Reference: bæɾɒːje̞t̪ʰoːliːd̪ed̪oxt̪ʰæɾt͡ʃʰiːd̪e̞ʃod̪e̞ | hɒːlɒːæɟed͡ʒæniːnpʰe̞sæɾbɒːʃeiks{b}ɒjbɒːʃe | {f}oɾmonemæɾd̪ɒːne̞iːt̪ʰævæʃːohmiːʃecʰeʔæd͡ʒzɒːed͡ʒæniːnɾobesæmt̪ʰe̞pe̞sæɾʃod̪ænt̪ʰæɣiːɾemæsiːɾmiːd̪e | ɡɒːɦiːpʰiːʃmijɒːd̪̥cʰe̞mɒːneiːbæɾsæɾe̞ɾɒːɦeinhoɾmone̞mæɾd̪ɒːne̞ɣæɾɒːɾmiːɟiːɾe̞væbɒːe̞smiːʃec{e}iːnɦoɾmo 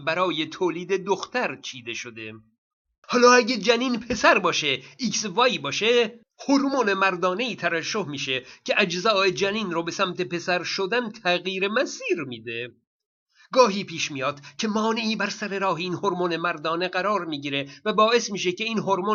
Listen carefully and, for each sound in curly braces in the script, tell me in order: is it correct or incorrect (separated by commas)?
incorrect, incorrect, correct